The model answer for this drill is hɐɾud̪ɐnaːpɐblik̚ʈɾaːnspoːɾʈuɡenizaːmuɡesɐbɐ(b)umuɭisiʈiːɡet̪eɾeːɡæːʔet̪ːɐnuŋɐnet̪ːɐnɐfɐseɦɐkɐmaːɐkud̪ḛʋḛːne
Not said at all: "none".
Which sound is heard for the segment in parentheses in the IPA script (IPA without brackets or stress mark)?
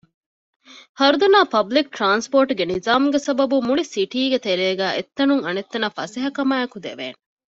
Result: b